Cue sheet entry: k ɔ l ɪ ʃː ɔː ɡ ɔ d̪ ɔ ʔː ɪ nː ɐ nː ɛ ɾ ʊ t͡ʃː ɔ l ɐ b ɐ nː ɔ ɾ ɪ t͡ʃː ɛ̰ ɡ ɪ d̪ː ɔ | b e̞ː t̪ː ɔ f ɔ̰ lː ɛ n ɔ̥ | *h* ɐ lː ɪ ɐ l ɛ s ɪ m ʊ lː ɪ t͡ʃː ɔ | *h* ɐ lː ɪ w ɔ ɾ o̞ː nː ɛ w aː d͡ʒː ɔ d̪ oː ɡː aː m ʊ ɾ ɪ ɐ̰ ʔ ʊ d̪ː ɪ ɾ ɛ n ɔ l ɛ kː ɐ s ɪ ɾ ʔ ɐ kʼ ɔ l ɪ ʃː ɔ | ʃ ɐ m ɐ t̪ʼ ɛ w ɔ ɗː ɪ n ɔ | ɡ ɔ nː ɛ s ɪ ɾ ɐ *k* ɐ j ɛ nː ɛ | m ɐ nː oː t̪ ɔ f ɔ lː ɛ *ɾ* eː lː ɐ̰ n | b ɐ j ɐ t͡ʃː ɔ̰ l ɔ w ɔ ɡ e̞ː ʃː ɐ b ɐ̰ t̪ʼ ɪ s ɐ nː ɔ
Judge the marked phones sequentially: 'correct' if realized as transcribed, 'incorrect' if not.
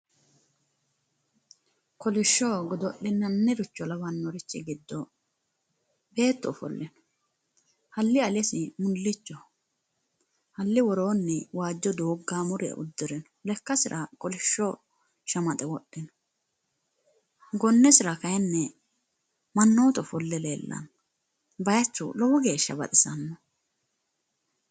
correct, correct, correct, incorrect

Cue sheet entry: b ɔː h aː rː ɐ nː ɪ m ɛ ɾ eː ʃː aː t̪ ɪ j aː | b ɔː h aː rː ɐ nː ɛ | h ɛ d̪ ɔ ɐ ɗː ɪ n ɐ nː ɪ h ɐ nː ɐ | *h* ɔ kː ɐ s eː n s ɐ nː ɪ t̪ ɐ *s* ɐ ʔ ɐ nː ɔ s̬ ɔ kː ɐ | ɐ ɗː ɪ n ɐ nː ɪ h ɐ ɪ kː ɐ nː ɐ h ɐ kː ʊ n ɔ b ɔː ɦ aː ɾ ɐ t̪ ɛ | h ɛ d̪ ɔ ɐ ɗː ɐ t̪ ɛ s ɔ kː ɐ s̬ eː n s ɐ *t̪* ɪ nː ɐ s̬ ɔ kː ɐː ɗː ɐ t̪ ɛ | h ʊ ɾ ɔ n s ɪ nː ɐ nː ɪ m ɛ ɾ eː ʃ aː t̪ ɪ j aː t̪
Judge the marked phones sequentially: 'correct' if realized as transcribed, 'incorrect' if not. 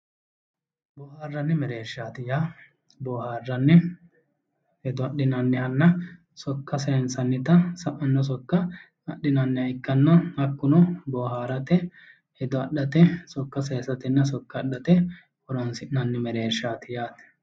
incorrect, correct, correct

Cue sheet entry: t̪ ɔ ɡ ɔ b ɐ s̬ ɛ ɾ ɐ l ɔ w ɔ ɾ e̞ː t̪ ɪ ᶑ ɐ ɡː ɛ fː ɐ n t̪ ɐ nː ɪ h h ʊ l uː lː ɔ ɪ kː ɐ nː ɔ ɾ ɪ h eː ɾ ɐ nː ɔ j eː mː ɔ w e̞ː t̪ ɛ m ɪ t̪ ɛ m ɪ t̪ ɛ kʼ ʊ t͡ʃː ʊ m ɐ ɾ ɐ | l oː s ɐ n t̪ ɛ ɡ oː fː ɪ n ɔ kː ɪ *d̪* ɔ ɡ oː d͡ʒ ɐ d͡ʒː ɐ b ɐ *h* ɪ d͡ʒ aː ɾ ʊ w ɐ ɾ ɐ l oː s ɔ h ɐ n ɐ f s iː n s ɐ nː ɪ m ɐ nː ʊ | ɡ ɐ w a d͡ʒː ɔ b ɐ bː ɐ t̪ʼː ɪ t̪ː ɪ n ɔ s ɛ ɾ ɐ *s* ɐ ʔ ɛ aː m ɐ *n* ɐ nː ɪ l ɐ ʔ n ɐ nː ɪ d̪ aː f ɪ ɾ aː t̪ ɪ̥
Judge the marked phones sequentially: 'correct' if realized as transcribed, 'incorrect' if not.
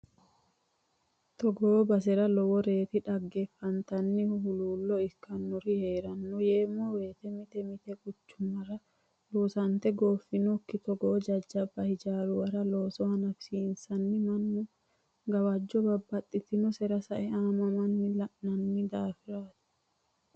incorrect, correct, correct, incorrect

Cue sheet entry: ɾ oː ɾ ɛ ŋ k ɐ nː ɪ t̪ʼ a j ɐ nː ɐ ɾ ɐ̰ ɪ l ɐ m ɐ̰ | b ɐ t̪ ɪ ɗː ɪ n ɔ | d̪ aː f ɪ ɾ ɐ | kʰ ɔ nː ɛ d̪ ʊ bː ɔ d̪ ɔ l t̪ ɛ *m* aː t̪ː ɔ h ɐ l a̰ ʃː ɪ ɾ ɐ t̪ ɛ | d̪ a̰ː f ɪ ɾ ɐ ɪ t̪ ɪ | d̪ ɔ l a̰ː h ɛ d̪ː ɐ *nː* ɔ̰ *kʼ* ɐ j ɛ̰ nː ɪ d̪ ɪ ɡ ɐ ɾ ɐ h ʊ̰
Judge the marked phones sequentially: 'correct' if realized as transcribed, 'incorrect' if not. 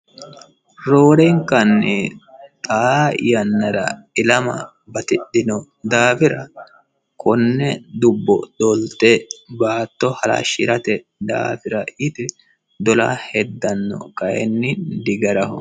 incorrect, correct, incorrect

